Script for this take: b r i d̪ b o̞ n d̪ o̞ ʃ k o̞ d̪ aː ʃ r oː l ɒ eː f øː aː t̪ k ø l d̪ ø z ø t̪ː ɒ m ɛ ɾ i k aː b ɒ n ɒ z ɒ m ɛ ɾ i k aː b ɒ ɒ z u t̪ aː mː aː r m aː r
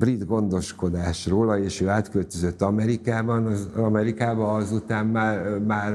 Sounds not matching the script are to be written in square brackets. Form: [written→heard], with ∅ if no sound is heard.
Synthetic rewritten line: b r i d̪ [b→ɡ] o̞ n d̪ o̞ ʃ k o̞ d̪ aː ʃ r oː l ɒ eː [f→ʃ] øː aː t̪ k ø l [d̪→t̪] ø z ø t̪ː ɒ m ɛ ɾ i k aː b ɒ n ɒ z ɒ m ɛ ɾ i k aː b ɒ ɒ z u t̪ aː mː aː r m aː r